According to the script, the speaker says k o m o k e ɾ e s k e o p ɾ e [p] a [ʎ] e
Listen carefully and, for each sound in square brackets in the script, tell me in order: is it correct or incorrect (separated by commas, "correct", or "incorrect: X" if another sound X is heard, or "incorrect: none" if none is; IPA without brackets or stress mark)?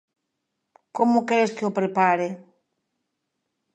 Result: correct, incorrect: ɾ